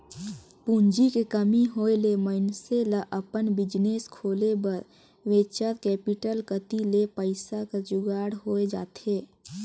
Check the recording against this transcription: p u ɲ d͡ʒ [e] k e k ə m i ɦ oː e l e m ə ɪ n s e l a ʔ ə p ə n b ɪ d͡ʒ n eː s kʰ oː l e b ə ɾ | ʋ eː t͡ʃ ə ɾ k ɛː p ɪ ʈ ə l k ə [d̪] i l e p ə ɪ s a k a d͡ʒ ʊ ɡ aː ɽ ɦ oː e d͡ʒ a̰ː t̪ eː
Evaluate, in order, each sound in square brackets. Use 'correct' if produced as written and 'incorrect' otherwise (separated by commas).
incorrect, incorrect